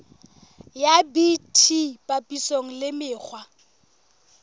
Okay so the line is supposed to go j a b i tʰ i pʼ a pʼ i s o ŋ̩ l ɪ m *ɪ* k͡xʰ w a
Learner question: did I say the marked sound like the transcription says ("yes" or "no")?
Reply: no